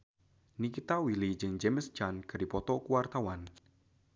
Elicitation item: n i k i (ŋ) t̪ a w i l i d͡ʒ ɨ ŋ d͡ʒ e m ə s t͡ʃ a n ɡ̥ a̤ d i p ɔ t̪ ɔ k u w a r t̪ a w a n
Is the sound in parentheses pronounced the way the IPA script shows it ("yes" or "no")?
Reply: no